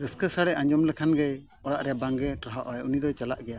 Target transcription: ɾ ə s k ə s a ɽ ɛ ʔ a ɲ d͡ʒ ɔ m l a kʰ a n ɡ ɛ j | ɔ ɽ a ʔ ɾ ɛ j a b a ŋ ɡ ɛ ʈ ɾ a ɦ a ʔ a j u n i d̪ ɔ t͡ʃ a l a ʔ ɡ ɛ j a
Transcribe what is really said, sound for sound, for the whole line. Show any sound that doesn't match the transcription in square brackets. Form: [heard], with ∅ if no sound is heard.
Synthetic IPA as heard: ɾ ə s k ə s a ɽ ɛ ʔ a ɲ d͡ʒ ɔ m l [ɛ] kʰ a n ɡ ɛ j | ɔ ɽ a ʔ ɾ ɛ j a b a ŋ ɡ ɛ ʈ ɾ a ɦ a ʔ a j u n i d̪ ɔ t͡ʃ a l a ʔ ɡ ɛ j a